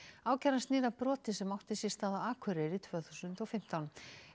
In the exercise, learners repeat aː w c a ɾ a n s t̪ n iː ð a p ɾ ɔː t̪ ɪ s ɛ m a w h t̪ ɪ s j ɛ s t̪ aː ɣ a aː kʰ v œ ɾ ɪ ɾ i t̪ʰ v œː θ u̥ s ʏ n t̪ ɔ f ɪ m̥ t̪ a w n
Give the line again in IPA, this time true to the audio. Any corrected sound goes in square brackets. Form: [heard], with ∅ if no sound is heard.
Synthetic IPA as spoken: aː w c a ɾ a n s t̪ n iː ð a p ɾ ɔː t̪ ɪ s ɛ m a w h t̪ ɪ s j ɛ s t̪ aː [ð] a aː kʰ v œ ɾ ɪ ɾ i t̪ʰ v œː θ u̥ s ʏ n t̪ ɔ f ɪ m̥ t̪ a w n

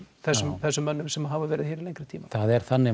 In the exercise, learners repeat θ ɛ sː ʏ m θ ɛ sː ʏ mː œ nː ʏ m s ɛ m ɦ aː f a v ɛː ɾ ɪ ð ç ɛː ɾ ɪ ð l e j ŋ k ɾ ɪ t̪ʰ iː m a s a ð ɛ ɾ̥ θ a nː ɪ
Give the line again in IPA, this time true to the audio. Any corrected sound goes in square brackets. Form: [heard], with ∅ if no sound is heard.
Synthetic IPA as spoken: θ ɛ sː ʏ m θ ɛ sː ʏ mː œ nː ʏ m s ɛ m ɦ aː [v] a v ɛː ɾ ɪ ð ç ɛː ɾ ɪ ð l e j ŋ k ɾ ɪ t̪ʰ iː m a [θ] a ð ɛ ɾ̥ θ a nː ɪ

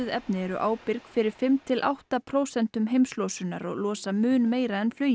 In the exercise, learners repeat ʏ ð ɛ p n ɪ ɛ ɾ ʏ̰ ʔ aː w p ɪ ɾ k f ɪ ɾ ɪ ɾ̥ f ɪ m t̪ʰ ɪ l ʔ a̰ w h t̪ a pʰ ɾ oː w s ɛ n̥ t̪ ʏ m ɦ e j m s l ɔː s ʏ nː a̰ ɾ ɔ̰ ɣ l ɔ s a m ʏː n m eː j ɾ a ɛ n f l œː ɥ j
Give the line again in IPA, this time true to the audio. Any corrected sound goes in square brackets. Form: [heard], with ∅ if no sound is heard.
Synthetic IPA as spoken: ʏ ð ɛ p n ɪ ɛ ɾ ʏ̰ ʔ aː w p ɪ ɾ k f ɪ ɾ ɪ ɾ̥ f ɪ m t̪ʰ ɪ l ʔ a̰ w h t̪ a pʰ ɾ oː w s ɛ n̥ t̪ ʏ m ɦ e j m s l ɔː s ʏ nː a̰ ɾ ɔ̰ ɣ l [ɔː] s a m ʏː n m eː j ɾ a ɛ n f l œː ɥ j

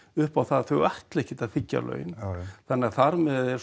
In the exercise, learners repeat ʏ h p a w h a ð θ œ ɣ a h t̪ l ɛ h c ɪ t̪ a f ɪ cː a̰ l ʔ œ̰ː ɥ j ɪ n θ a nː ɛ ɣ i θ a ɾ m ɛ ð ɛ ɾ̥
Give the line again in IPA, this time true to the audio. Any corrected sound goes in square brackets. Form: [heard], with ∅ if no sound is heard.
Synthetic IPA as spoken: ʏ h p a w [θ] a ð θ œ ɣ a h t̪ l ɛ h c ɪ t̪ a f ɪ cː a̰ l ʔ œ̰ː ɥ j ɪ n θ a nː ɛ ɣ [a] θ a ɾ m ɛ ð ɛ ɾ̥

